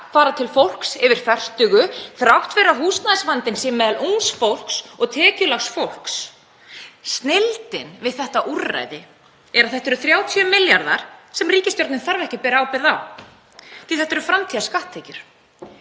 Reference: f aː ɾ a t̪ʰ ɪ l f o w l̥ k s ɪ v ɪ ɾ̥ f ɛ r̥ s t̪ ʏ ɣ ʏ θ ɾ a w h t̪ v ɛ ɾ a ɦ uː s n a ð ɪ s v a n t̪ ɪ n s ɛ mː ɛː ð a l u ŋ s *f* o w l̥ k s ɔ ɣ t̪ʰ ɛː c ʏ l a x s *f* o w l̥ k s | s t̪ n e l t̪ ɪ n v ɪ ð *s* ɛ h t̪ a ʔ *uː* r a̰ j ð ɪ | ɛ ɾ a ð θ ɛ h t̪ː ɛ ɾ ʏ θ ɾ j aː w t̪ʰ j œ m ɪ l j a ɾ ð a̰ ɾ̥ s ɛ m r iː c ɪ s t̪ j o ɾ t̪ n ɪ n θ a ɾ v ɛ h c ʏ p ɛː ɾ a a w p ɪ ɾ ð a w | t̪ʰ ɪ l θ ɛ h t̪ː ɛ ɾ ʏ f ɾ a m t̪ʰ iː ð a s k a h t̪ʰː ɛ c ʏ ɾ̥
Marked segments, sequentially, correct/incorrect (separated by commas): correct, correct, incorrect, incorrect